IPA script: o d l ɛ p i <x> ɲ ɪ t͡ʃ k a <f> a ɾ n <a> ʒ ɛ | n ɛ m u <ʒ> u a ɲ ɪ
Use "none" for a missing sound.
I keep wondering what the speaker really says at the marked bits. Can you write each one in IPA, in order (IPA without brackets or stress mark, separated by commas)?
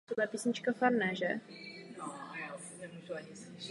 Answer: s, f, ɛ, ʒ